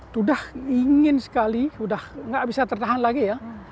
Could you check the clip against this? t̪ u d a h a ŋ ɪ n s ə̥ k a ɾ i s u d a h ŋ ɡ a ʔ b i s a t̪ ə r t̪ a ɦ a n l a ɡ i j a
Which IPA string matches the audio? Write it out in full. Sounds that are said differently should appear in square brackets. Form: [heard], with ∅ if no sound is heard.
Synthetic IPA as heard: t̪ u d a h [i] ŋ ɪ n s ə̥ k a [l] i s u d a h ŋ ɡ a ʔ b i s a t̪ ə r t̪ a ɦ a n l a ɡ i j a